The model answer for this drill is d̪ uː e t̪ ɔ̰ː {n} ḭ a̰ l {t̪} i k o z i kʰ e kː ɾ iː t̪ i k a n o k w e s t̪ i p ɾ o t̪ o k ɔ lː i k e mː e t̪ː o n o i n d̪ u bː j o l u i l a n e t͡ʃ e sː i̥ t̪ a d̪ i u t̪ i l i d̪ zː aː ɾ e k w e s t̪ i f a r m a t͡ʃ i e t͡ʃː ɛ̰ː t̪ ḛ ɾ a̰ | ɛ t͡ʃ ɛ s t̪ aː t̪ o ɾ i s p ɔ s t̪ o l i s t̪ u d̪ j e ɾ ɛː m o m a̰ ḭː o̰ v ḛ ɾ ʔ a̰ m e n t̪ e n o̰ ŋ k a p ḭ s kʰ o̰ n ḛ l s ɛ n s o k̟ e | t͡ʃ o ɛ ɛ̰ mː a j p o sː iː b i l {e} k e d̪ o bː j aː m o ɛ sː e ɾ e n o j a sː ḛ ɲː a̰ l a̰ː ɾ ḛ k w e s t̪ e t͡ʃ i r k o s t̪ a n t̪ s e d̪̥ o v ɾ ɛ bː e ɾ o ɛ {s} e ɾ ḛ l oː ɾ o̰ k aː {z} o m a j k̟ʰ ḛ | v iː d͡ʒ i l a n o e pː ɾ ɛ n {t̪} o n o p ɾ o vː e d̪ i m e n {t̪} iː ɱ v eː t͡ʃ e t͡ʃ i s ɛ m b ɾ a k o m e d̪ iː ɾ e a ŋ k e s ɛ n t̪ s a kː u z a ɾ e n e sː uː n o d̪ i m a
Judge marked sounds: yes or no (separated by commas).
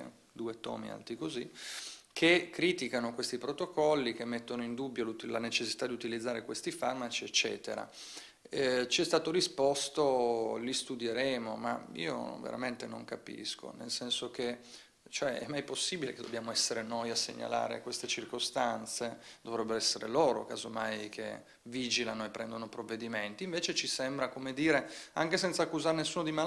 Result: no, yes, yes, no, yes, no, yes